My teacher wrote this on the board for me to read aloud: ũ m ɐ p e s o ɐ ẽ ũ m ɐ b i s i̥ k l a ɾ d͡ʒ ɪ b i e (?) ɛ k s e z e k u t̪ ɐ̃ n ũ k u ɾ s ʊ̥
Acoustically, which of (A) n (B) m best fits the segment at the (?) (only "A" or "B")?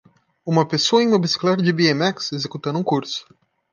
B